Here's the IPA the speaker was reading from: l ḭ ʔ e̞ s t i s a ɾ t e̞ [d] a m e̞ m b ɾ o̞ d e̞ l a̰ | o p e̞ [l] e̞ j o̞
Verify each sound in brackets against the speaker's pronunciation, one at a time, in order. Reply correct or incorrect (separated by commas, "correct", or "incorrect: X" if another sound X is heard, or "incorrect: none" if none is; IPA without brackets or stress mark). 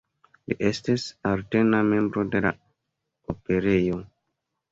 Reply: incorrect: n, incorrect: ɾ